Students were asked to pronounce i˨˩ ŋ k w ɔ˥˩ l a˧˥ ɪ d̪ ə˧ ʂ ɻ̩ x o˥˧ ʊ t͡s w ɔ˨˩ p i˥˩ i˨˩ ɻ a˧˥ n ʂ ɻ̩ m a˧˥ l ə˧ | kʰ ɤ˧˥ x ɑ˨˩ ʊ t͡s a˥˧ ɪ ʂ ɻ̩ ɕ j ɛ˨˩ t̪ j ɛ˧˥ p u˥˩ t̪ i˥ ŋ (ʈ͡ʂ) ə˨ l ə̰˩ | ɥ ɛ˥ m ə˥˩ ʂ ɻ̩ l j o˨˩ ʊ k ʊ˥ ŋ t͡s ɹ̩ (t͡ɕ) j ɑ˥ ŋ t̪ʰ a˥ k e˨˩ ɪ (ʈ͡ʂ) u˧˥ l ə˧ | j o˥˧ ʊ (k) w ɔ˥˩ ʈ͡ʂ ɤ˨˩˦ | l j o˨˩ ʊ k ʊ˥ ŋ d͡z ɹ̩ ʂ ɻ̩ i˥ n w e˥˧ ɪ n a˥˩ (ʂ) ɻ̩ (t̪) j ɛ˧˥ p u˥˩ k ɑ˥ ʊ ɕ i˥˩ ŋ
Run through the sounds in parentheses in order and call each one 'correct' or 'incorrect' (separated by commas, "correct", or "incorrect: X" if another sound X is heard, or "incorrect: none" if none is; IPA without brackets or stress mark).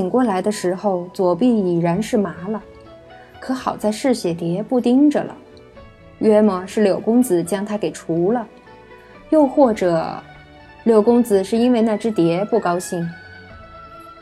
correct, correct, incorrect: ʈ͡ʂʰ, incorrect: x, incorrect: ʈ͡ʂ, correct